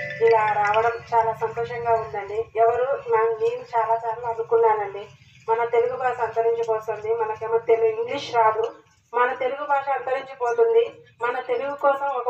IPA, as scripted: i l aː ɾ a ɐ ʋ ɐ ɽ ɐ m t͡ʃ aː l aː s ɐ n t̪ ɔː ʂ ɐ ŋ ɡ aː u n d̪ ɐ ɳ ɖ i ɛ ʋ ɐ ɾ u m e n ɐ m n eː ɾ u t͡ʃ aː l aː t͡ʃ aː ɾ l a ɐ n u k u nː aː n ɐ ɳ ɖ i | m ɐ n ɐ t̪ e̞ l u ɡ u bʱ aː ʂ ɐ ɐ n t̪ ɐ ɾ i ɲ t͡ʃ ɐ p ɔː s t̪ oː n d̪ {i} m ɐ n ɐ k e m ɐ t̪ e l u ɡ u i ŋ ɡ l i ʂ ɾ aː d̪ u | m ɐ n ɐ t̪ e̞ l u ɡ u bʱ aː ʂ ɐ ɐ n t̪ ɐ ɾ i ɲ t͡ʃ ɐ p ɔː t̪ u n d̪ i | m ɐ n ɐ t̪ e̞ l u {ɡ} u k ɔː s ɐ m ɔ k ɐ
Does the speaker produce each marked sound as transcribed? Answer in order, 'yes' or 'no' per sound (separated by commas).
yes, yes